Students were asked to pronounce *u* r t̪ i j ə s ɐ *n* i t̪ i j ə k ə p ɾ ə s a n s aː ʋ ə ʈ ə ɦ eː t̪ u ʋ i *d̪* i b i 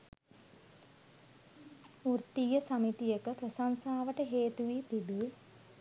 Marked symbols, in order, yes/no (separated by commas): yes, no, no